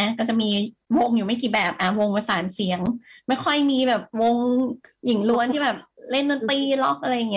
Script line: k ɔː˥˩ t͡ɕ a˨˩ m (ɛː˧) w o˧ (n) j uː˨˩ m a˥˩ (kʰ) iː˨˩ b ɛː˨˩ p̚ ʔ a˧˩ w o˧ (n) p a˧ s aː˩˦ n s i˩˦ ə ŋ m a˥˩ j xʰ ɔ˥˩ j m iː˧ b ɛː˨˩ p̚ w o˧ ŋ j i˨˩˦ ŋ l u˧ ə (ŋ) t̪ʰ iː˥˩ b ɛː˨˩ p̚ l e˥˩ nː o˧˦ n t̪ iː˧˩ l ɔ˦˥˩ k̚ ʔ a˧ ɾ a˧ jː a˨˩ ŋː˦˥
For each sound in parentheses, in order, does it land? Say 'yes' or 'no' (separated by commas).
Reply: no, no, no, no, no